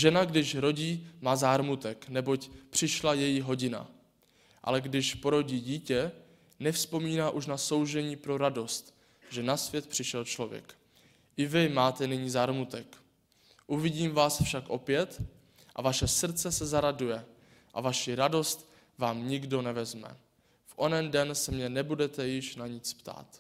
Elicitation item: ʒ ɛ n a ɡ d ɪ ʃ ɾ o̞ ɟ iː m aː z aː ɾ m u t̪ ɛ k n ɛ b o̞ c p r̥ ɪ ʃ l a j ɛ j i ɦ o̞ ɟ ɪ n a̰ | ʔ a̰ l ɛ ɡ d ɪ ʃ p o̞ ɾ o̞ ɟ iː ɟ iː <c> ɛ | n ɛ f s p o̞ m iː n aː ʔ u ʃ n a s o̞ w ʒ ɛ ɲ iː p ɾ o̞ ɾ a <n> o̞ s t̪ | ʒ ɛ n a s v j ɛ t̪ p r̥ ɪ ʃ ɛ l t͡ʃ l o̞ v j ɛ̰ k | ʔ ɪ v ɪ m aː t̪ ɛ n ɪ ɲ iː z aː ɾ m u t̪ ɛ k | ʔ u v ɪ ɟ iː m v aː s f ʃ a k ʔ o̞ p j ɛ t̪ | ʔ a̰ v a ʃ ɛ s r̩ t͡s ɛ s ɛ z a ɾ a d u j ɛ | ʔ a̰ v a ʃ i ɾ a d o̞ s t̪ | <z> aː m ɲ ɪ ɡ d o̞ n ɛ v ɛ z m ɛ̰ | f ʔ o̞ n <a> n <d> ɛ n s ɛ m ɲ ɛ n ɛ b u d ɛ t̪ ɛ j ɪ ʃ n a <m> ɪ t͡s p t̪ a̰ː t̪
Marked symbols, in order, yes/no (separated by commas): yes, no, no, no, yes, no